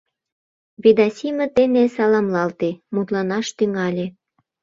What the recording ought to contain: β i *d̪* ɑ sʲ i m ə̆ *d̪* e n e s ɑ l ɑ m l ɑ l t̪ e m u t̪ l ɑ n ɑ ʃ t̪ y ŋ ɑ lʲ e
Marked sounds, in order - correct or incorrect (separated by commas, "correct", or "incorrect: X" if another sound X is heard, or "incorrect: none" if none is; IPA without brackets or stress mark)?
correct, incorrect: t̪